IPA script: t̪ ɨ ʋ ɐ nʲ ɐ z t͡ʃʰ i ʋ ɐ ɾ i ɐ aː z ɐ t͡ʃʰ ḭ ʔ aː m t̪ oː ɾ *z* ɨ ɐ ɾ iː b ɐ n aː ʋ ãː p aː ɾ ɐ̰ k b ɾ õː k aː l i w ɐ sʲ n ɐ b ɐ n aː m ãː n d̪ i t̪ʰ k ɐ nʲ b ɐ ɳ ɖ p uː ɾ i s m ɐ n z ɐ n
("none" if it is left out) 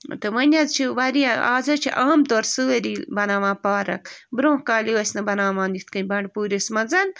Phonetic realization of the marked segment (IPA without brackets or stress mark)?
s